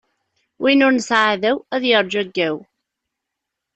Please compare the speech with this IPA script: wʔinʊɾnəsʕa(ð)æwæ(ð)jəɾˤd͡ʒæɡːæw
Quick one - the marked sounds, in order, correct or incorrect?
correct, correct

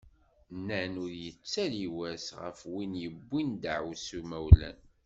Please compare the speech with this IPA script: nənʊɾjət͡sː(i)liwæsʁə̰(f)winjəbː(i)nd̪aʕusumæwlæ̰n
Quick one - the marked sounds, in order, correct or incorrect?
incorrect: æ, correct, correct

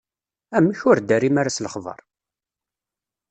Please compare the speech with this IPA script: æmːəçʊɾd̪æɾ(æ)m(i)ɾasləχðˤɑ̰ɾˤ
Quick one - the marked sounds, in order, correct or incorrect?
incorrect: i, incorrect: a

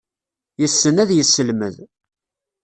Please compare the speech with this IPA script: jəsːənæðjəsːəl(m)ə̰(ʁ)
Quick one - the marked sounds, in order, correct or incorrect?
correct, incorrect: ð

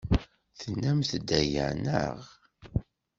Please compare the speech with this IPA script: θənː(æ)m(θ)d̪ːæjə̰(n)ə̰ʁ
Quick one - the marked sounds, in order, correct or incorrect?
correct, correct, correct

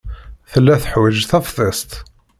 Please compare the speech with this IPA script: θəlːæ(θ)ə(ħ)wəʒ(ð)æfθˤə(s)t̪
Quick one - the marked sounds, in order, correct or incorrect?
correct, correct, incorrect: θ, correct

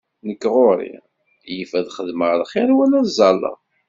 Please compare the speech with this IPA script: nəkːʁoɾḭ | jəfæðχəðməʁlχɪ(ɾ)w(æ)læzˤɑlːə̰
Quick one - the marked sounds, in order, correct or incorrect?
correct, correct

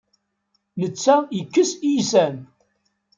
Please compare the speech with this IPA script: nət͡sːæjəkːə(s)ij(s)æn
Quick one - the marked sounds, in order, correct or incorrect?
correct, correct

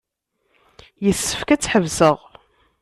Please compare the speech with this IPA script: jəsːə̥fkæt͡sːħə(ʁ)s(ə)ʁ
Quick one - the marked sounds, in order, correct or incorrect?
incorrect: v, correct

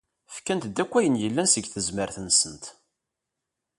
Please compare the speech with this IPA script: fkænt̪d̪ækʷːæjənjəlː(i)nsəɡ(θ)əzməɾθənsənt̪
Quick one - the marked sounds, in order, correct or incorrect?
incorrect: æ, correct

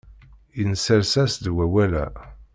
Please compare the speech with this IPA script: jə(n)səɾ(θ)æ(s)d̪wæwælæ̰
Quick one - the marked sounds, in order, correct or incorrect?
correct, incorrect: s, correct

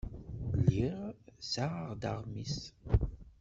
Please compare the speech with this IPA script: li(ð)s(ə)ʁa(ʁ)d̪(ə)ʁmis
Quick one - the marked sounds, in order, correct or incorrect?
incorrect: ʁ, incorrect: a, correct, incorrect: a

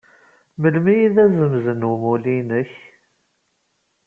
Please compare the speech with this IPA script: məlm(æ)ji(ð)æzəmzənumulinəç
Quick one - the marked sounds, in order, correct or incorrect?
incorrect: i, correct

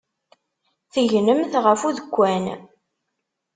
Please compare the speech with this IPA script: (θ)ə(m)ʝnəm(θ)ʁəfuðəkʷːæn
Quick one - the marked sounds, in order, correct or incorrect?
correct, incorrect: none, correct

